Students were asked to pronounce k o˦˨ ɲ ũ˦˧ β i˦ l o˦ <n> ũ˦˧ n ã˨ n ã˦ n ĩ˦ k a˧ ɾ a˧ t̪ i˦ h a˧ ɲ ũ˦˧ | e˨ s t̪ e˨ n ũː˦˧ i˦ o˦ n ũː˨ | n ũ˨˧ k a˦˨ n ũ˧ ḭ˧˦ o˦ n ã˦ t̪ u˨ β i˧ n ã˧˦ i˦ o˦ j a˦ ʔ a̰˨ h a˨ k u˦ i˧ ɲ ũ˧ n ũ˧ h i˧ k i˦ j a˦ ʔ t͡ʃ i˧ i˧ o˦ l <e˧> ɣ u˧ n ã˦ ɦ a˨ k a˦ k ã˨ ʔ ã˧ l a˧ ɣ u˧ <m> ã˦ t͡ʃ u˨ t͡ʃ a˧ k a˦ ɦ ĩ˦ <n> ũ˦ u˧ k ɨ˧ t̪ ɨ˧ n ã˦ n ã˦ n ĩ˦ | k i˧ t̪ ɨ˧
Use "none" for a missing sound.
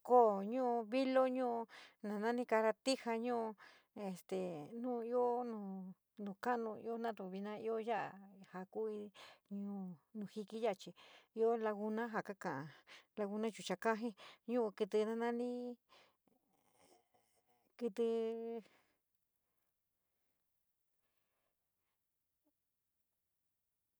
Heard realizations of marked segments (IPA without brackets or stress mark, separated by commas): ɲ, a˧, n, ɲ